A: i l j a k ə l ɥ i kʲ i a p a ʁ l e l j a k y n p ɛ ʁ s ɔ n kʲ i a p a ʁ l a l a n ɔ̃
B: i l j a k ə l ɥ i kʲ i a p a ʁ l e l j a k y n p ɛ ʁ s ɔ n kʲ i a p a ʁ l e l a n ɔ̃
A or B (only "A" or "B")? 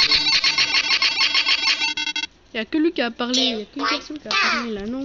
B